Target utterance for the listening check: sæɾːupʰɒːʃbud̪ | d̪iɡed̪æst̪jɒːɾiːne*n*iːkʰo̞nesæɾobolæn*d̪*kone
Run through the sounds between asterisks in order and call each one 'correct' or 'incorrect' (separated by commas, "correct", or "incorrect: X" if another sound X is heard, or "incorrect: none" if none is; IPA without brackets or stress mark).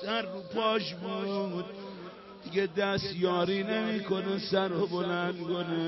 incorrect: m, correct